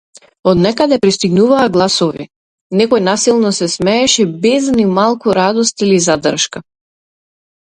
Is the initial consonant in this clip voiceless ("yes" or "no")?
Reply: no